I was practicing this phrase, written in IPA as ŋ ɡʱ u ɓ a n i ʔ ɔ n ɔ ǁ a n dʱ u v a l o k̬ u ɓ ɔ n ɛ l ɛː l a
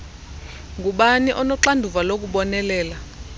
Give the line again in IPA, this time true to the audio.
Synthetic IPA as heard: ŋ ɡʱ u ɓ a n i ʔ ɔ n ɔ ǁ a n dʱ u v a l o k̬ u ɓ ɔ n ɛ l ɛː l a